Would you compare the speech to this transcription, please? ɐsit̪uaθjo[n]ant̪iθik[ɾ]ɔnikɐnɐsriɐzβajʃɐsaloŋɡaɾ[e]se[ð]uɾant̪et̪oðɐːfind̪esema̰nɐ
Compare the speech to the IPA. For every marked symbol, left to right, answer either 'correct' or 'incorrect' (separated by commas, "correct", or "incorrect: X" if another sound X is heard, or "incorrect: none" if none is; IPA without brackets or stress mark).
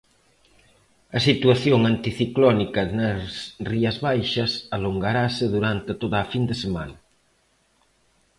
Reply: incorrect: ŋ, incorrect: l, incorrect: a, correct